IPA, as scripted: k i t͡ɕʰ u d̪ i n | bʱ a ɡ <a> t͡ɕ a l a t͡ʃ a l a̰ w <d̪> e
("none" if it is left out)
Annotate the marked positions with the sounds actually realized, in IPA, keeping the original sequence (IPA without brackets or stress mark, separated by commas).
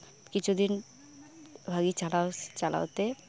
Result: i, t̪